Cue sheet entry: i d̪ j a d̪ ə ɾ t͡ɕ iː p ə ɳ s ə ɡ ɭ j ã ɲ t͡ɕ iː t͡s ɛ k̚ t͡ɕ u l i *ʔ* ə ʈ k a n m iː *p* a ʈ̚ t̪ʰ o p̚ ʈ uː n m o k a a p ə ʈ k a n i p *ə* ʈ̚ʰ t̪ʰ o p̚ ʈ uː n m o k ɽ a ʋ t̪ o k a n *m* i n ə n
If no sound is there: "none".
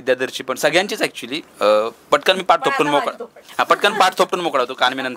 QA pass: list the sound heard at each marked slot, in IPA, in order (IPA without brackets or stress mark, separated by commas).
p, p, a, m